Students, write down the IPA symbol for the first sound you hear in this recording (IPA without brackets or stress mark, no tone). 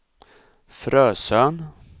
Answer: f